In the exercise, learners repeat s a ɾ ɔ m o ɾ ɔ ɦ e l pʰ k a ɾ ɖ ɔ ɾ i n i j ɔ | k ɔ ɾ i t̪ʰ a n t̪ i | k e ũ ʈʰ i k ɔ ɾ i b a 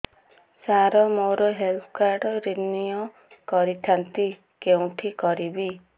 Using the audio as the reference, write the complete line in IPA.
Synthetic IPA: s a ɾ ɔ m o ɾ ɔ ɦ e l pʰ k a ɾ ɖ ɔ ɾ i n i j ɔ | k ɔ ɾ i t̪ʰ a n t̪ i | k e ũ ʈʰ i k ɔ ɾ i b i